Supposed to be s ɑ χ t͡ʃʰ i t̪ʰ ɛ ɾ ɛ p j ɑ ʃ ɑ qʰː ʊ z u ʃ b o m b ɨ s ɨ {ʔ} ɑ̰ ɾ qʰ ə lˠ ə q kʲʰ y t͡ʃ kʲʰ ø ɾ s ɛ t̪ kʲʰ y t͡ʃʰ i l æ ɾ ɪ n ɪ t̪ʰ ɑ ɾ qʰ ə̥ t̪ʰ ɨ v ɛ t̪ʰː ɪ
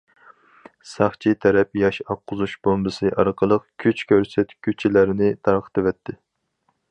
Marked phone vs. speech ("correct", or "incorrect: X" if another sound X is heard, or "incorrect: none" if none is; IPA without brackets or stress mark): correct